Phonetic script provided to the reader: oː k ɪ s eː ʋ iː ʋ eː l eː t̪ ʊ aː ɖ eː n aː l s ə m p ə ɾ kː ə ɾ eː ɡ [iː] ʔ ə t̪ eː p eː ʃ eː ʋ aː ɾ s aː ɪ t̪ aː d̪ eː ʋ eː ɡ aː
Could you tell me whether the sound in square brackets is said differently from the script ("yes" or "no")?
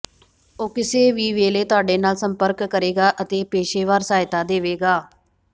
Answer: yes